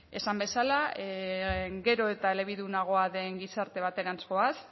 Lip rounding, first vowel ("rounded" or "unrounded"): unrounded